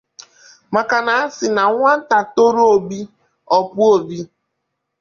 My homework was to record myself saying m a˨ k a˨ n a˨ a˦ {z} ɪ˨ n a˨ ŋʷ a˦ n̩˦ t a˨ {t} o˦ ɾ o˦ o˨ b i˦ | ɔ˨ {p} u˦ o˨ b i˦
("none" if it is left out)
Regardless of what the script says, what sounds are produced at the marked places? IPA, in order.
s, t, p

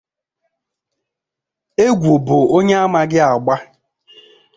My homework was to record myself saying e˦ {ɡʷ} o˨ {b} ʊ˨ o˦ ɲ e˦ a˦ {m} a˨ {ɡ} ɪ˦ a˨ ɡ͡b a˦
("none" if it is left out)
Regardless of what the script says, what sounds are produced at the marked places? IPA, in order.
ɡʷ, b, m, ɡ

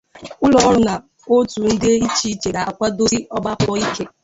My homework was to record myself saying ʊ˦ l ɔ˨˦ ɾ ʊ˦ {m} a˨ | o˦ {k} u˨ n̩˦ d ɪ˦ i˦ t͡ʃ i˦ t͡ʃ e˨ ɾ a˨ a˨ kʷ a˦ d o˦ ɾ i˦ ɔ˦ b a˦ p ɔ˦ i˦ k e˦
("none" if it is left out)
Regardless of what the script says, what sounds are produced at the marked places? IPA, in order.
n, t

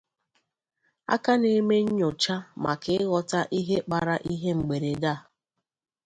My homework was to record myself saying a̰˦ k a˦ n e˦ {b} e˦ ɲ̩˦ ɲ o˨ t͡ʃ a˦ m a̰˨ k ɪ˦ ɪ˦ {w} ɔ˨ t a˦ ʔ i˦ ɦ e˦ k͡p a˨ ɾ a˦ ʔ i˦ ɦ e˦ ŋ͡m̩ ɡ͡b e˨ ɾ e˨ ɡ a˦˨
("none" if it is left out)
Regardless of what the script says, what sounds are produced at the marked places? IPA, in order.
m, ɣ

